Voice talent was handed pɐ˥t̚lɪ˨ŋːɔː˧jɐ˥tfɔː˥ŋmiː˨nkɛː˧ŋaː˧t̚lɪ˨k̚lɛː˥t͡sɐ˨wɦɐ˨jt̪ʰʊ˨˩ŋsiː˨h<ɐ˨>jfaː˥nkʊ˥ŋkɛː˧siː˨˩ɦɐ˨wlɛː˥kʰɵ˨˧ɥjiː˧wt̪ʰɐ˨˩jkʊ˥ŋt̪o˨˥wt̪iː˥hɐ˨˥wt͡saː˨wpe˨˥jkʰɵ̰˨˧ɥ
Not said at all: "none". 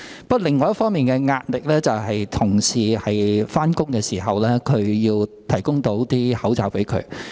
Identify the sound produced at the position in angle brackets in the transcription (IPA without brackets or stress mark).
ɐ˨